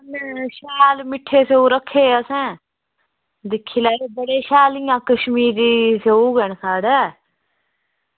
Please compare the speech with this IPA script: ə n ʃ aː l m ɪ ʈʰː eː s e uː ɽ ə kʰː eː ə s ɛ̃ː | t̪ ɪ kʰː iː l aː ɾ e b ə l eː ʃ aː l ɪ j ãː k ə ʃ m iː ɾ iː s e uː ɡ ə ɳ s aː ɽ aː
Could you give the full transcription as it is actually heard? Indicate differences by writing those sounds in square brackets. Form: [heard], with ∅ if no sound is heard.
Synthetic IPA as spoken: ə n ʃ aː l m ɪ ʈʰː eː s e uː [ɾ] ə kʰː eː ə s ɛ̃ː | [d̪] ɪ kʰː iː l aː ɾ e b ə [ɽ] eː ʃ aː l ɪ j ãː k ə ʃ m iː ɾ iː s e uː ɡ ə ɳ s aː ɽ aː